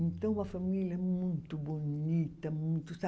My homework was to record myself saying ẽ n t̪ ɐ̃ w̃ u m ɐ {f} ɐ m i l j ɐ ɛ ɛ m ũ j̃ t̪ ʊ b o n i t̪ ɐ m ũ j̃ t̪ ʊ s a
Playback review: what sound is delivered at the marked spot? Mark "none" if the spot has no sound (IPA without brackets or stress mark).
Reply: f